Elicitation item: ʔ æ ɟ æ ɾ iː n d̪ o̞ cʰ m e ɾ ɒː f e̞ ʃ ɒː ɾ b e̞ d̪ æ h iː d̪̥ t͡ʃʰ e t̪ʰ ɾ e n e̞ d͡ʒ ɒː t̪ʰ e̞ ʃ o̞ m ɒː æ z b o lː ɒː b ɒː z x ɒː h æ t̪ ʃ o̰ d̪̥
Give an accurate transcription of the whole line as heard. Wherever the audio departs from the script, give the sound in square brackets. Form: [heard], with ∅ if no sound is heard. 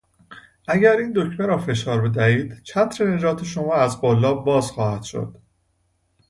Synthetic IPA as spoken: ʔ æ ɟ æ ɾ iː n d̪ o̞ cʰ m e ɾ ɒː f e̞ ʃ ɒː ɾ b e̞ d̪ æ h iː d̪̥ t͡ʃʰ [æ] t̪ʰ ɾ e n e̞ d͡ʒ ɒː t̪ʰ e̞ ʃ o̞ m ɒː æ z b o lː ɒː b ɒː z x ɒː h æ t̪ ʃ o̰ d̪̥

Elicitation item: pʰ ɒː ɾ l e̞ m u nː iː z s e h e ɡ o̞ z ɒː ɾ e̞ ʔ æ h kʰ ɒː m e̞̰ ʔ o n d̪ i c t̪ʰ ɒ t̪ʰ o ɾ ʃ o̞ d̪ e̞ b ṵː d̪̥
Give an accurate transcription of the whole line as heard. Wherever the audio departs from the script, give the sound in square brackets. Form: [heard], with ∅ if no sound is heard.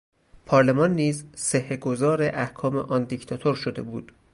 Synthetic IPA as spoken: pʰ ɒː ɾ l e̞ m [ɒ] nː iː z s e h e ɡ o̞ z ɒː ɾ e̞ ʔ æ h kʰ ɒː m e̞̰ ʔ [ɒ] n d̪ i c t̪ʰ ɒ t̪ʰ o ɾ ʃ o̞ d̪ e̞ b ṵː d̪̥

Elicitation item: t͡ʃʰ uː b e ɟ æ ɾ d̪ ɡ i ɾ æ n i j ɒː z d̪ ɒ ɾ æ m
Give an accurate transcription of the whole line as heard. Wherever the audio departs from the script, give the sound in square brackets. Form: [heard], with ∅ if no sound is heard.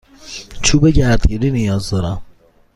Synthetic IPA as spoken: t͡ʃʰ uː b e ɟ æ ɾ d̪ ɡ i ɾ [i] n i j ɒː z d̪ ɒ ɾ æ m

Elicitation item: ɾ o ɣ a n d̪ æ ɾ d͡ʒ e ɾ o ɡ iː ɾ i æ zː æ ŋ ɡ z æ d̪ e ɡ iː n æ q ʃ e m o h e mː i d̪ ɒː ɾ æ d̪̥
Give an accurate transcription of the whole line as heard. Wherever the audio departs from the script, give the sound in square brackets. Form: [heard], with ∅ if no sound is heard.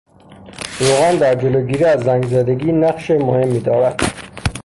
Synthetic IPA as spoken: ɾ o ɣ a n d̪ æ ɾ d͡ʒ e [l] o ɡ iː ɾ i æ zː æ ŋ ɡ z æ d̪ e ɡ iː n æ q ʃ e m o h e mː i d̪ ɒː ɾ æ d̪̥

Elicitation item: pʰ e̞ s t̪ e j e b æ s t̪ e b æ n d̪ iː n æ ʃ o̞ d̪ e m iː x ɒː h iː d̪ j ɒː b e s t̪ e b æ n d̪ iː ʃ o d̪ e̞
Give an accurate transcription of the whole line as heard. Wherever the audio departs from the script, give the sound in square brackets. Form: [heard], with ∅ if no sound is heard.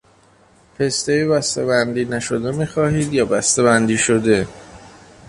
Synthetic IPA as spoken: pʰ e̞ s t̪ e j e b æ s t̪ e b æ n d̪ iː n æ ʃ o̞ d̪ e m iː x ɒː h iː d̪ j ɒː b [æ] s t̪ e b æ n d̪ iː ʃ o d̪ e̞

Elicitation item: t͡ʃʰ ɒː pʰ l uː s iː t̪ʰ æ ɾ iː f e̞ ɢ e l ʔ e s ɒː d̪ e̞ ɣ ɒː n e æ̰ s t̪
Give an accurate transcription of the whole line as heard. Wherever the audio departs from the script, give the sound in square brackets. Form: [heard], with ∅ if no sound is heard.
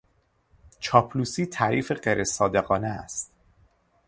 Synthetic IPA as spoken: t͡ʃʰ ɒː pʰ l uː s iː t̪ʰ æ ɾ iː f e̞ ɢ e [ɾ] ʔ e s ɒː d̪ e̞ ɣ ɒː n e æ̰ s t̪

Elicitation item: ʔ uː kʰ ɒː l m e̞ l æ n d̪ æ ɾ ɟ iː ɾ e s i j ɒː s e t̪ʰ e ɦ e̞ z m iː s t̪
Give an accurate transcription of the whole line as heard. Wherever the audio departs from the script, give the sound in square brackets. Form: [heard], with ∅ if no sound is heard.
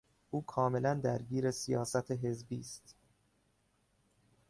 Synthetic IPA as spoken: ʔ uː kʰ ɒː [∅] m e̞ l æ n d̪ æ ɾ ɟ iː ɾ e s i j ɒː s [æ] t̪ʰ e ɦ e̞ z [b] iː s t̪

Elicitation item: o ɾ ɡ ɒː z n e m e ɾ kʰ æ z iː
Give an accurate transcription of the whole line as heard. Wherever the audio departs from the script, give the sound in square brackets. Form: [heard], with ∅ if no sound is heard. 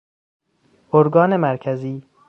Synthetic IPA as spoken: o ɾ ɡ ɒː [∅] n e m [æ] ɾ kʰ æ z iː

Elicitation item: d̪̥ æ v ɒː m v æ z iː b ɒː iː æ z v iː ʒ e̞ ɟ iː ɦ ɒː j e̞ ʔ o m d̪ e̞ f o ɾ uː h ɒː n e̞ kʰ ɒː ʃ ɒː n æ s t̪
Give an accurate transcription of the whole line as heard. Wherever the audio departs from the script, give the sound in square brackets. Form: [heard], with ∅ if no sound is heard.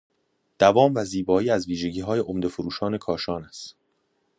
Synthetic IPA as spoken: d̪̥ æ v ɒː m v æ z iː b ɒː iː æ z v iː ʒ e̞ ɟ iː ɦ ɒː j e̞ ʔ o m d̪ e̞ f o ɾ uː [ʃ] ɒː n e̞ kʰ ɒː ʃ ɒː n æ s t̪

